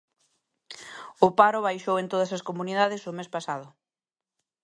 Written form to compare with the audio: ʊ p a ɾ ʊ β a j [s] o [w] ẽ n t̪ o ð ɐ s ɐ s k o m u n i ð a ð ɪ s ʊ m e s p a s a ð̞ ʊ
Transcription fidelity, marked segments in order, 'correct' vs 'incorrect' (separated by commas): incorrect, correct